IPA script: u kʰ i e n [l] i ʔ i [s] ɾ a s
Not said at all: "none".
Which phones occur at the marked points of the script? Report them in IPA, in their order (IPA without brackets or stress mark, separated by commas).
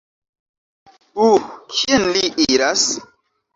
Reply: l, none